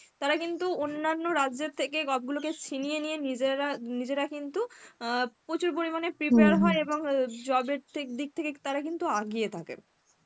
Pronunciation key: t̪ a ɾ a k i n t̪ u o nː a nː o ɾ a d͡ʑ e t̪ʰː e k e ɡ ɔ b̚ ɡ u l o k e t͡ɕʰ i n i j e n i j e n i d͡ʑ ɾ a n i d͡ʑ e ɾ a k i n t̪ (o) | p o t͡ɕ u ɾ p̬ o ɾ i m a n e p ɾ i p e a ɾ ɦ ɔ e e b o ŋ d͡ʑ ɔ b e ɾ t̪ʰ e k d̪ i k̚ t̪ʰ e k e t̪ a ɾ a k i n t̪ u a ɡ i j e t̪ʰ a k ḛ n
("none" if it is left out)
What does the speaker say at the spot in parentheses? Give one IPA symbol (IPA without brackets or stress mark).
u